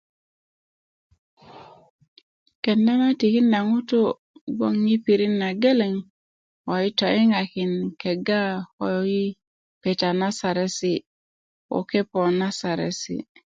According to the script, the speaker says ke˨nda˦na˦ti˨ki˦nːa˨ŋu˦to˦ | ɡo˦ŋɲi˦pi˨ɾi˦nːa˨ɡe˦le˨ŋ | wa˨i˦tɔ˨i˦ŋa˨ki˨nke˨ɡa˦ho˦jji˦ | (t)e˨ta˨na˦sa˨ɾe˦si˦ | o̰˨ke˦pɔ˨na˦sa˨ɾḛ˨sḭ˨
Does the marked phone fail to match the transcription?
yes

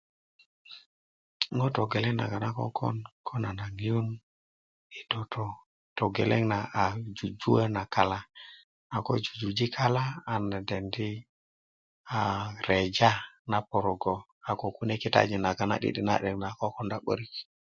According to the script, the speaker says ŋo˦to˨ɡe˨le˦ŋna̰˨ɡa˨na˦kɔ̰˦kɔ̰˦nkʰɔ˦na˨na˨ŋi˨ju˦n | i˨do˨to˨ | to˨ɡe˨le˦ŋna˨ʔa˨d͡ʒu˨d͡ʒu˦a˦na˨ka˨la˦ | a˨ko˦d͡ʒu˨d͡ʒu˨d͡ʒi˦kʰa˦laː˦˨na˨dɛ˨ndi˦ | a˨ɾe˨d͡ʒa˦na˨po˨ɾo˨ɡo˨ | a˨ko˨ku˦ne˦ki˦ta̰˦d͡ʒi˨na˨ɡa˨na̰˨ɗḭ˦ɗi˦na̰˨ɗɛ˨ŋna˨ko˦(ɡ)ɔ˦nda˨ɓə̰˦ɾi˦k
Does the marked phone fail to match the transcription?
yes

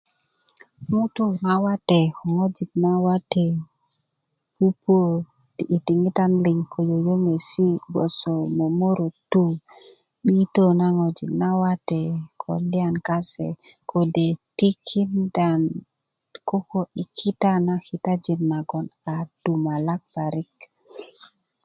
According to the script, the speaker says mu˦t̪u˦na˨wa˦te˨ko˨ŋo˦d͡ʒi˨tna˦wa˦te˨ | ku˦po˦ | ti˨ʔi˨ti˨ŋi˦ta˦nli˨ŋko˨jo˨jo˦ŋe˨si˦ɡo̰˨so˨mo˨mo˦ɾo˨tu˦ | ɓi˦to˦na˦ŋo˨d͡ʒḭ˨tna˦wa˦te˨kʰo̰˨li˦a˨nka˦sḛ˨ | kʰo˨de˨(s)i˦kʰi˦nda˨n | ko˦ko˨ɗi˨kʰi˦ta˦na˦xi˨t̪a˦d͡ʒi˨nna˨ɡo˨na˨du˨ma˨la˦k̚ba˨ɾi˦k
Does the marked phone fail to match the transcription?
yes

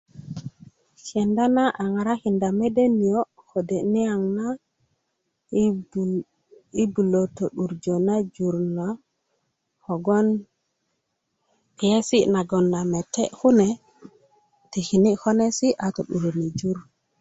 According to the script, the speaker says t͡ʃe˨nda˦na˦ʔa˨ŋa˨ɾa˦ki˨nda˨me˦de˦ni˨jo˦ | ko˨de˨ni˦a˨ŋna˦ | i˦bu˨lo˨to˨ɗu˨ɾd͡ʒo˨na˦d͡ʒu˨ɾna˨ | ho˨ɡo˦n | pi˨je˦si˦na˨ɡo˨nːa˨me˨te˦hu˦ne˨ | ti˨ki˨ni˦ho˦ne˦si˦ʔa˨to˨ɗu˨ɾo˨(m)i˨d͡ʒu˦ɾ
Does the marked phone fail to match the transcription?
yes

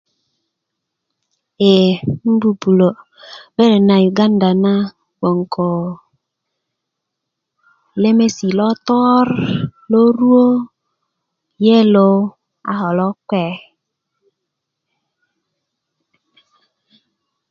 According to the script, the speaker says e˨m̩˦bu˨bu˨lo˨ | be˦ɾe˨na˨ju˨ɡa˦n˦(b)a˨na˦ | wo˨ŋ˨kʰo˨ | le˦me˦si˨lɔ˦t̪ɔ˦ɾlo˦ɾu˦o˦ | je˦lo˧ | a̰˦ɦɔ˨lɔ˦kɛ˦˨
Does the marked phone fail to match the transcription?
yes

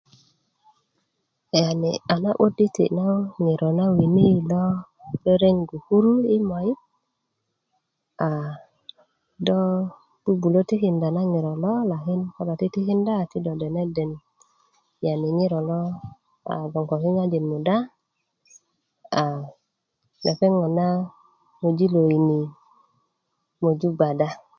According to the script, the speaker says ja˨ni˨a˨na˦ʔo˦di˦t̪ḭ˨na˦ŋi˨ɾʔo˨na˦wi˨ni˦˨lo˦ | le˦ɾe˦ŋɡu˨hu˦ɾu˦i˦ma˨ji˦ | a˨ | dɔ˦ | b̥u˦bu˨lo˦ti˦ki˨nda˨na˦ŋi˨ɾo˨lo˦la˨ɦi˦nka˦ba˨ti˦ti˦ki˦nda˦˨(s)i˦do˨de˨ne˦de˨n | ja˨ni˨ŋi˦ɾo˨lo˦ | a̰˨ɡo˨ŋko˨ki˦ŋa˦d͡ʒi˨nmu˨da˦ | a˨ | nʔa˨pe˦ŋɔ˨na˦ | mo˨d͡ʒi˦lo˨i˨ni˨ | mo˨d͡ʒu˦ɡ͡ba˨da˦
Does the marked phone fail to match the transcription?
yes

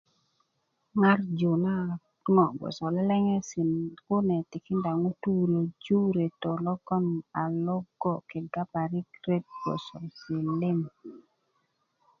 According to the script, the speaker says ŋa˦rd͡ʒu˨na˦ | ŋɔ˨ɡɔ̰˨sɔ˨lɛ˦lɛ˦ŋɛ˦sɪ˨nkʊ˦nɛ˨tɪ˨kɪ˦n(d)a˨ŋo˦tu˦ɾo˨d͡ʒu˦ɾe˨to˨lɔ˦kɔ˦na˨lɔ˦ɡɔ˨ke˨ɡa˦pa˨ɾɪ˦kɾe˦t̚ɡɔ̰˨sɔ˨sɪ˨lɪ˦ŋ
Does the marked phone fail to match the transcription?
no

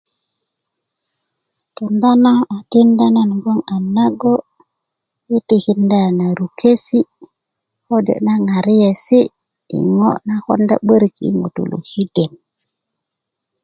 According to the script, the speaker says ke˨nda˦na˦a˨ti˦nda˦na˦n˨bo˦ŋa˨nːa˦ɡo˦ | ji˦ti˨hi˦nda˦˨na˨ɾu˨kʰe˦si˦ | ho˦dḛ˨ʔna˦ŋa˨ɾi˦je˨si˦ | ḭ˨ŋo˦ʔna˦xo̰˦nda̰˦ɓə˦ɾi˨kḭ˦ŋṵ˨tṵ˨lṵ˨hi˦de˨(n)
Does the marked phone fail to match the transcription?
no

